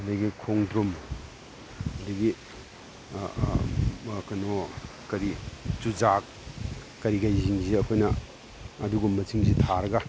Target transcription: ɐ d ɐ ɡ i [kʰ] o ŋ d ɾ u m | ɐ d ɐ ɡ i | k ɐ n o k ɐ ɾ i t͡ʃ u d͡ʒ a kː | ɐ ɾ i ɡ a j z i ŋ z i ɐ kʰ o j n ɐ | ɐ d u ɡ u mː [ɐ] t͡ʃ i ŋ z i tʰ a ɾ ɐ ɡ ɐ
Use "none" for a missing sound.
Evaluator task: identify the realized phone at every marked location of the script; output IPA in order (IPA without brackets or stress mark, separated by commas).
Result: kʰ, ɐ